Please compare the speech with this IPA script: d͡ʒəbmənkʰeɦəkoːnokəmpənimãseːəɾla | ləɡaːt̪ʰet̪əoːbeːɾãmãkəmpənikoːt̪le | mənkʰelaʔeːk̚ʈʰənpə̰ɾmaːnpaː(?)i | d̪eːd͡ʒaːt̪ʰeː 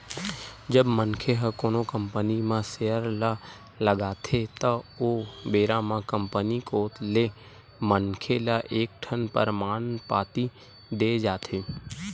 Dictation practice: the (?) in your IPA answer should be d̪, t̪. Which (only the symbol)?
t̪